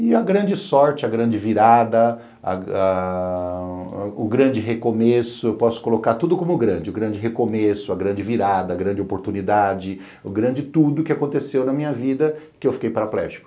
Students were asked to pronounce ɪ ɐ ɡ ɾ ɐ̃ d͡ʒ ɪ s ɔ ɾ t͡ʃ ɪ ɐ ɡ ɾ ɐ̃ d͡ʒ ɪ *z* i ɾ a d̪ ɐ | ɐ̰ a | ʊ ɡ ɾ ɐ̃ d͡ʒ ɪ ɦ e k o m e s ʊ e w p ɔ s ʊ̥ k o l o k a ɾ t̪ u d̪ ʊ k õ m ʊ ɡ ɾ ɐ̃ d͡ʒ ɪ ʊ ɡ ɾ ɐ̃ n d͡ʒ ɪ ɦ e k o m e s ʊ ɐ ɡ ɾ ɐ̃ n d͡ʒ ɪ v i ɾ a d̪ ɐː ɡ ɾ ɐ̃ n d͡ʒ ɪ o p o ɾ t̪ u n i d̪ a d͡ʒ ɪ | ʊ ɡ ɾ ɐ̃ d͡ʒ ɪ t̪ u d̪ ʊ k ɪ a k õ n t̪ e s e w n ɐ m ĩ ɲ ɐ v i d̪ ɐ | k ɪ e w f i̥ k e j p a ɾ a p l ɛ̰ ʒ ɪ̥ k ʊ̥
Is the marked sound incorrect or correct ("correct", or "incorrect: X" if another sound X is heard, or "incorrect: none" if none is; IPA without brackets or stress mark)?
incorrect: v